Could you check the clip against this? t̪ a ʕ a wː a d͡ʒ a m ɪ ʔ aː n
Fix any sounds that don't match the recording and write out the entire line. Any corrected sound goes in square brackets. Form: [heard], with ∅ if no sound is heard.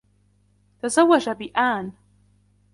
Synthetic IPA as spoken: t̪ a [z] a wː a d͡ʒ a [b] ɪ ʔ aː n

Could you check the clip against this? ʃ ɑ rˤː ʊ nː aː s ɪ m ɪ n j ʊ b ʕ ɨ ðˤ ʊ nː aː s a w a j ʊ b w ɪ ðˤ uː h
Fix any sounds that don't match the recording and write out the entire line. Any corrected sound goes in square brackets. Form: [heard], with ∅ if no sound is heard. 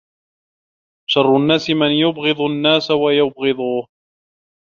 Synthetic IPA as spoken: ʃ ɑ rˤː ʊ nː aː s ɪ m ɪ n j ʊ b [ɣ] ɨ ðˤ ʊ nː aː s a w a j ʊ b [ɣ] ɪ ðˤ uː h

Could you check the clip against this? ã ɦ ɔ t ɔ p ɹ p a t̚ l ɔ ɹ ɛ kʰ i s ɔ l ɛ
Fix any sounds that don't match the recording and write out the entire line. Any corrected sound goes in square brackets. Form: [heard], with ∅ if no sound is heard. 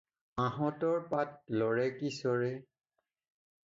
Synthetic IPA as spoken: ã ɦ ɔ t ɔ [∅] ɹ p a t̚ l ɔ ɹ ɛ [k] i s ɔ [ɹ] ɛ

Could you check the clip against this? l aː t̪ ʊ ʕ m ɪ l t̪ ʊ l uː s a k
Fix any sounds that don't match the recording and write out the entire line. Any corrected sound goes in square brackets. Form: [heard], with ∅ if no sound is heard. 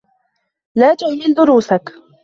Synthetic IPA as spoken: l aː t̪ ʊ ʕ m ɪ l [d̪] ʊ [ɾ] uː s a k

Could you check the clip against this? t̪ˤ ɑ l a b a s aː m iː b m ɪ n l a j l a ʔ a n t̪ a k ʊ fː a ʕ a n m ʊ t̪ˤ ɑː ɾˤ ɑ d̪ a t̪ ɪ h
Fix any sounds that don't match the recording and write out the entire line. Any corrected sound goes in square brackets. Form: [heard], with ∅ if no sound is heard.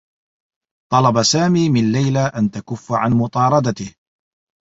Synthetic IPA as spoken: t̪ˤ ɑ l [ɑ] b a s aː m iː [∅] m ɪ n l a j l a ʔ a n t̪ a k ʊ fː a ʕ a n m ʊ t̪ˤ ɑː ɾˤ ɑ d̪ a t̪ ɪ h

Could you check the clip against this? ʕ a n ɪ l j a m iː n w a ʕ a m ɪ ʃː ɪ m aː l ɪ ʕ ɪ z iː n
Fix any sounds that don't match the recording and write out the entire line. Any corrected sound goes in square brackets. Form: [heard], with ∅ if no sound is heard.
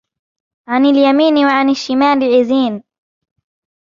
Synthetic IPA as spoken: ʕ a n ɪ l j a m iː n w a ʕ a [n] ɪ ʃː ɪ m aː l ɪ ʕ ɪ z iː n

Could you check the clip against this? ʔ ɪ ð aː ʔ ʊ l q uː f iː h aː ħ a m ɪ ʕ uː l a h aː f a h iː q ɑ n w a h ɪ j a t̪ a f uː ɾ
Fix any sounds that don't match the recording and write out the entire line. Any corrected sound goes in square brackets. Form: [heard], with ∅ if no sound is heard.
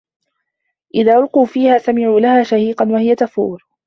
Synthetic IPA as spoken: ʔ ɪ ð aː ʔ ʊ l q uː f iː h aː [s] a m ɪ ʕ uː l a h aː [ʃ] a h iː q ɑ n w a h ɪ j a t̪ a f uː ɾ

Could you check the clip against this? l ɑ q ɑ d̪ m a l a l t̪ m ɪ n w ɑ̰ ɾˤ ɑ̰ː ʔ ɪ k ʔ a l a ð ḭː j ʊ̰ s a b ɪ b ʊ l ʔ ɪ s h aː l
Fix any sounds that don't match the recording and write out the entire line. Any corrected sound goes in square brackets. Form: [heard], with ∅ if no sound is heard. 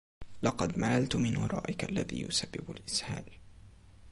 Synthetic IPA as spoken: l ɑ q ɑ d̪ m a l a l t̪ m ɪ n w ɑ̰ ɾˤ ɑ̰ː ʔ ɪ k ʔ a [lː] a ð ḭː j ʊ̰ s a [bː] ɪ b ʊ l ʔ ɪ s h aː l

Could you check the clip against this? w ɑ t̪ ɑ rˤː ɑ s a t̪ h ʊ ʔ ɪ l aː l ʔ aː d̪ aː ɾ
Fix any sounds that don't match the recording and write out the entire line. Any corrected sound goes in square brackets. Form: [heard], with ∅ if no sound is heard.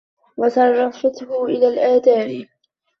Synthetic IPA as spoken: w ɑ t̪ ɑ rˤː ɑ [f] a t̪ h ʊ ʔ ɪ l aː l ʔ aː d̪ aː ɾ

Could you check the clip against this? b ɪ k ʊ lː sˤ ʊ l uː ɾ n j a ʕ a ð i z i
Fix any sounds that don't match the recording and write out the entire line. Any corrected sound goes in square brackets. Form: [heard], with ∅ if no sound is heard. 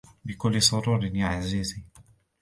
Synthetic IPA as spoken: b ɪ k ʊ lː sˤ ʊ [ɾ] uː ɾ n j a ʕ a [z] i z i

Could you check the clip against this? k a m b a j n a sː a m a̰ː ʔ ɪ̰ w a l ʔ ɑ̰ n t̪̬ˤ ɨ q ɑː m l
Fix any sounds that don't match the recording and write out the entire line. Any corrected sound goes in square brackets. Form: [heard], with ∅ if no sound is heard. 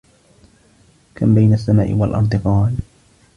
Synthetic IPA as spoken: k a m b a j n a sː a m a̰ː ʔ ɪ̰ w a l ʔ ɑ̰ n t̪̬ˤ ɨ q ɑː [∅] l

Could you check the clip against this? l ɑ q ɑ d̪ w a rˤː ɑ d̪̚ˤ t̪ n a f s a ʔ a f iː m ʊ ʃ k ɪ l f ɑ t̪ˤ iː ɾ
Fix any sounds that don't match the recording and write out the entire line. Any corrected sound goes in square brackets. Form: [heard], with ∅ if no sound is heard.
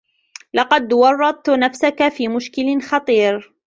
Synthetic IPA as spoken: l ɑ q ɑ d̪ w [ɑ] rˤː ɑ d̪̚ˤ t̪ n a f s a [k] a f iː m ʊ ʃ k ɪ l [x] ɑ t̪ˤ iː ɾ

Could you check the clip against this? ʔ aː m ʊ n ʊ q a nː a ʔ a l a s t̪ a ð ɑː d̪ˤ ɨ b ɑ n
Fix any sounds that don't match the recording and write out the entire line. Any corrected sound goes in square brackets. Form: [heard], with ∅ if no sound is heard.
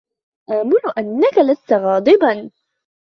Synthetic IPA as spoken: ʔ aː m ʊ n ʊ [ʔ] a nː a [k] a l a s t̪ a [ɣ] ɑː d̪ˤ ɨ b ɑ n

